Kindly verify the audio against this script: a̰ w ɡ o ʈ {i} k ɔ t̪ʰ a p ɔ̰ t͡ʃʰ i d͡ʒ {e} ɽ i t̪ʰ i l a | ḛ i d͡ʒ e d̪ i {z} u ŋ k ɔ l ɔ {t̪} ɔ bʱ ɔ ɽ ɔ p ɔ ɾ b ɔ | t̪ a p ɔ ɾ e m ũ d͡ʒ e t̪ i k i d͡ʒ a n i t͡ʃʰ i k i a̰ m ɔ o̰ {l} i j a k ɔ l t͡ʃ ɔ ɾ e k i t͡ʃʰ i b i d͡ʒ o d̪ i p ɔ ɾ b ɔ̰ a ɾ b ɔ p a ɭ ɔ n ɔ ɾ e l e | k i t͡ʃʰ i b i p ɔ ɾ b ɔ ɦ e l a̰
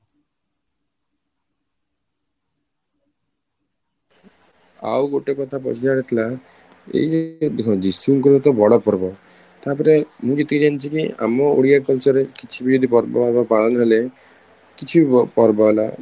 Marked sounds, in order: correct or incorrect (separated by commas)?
incorrect, incorrect, incorrect, correct, incorrect